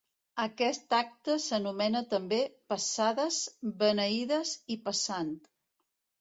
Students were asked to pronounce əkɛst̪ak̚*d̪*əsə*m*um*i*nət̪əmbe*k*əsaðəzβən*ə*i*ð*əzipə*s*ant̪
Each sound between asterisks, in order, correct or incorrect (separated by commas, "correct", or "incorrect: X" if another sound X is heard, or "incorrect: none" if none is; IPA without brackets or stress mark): incorrect: t̪, incorrect: n, incorrect: ɛ, incorrect: p, correct, correct, correct